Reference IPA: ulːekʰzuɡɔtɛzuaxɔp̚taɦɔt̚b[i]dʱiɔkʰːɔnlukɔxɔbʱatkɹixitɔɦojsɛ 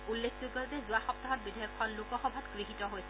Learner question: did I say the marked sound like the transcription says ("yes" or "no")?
yes